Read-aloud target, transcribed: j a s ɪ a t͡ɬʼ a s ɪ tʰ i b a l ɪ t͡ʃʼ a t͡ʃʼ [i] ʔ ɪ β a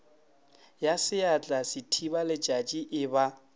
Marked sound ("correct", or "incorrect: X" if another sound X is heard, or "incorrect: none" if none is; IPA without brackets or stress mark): correct